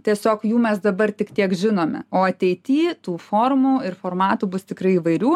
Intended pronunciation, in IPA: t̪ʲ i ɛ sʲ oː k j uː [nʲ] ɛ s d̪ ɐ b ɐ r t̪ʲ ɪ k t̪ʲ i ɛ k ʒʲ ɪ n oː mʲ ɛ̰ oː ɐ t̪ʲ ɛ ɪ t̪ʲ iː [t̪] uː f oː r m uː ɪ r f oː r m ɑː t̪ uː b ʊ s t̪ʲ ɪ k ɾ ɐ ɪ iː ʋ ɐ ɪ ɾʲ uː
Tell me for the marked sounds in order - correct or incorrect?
incorrect: mʲ, correct

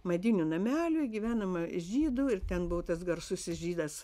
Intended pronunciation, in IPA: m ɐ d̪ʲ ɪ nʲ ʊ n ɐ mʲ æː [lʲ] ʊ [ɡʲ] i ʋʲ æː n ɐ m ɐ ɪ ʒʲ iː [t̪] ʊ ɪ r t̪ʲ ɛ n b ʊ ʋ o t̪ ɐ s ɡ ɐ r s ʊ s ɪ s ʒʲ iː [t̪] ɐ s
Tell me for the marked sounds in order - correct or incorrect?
correct, correct, incorrect: d̪, incorrect: d̪

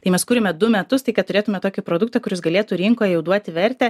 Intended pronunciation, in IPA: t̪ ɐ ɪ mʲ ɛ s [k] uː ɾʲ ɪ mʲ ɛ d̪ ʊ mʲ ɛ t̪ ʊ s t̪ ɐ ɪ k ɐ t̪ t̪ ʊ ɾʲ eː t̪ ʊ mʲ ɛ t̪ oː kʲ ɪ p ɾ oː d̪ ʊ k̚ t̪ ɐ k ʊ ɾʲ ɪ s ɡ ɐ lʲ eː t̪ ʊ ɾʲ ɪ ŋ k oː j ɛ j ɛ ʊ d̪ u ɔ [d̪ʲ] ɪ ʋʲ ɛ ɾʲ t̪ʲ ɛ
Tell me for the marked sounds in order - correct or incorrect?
correct, incorrect: t̪ʲ

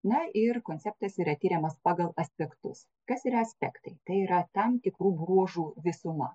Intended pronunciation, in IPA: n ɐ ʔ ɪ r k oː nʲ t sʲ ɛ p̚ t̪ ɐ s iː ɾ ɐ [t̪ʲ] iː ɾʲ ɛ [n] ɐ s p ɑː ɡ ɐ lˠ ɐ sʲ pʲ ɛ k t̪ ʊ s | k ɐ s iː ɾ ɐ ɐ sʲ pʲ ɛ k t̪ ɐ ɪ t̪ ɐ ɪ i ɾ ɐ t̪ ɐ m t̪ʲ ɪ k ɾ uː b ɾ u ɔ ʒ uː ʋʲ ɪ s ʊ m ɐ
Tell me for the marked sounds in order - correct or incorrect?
correct, incorrect: m

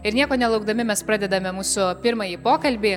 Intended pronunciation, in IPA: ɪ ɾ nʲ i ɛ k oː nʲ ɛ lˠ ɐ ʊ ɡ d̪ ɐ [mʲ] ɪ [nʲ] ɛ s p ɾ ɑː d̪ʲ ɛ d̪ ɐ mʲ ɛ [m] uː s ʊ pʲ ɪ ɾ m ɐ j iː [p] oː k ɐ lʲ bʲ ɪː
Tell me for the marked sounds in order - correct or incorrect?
correct, incorrect: mʲ, correct, correct

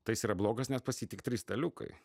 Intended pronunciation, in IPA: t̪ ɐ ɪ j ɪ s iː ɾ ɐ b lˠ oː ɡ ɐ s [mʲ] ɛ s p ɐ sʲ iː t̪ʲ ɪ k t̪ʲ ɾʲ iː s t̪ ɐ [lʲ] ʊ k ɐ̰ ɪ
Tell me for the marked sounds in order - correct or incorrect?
incorrect: nʲ, correct

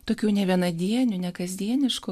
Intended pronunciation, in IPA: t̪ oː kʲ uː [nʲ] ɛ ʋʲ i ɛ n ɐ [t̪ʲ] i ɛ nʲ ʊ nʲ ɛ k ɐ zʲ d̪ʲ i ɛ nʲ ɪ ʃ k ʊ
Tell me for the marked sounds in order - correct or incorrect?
correct, incorrect: d̪ʲ

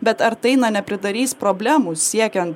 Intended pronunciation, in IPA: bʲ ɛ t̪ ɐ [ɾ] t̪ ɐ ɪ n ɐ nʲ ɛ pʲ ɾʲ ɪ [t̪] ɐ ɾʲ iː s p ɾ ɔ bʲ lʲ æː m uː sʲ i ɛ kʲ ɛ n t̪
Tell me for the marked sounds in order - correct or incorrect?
correct, incorrect: d̪

